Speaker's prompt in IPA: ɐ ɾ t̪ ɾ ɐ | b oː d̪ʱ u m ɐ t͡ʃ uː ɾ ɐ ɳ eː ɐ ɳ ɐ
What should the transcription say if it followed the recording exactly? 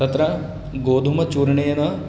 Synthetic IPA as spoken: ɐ t̪ ɾ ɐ | ɡ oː d̪ʱ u m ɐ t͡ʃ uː ɾ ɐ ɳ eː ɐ n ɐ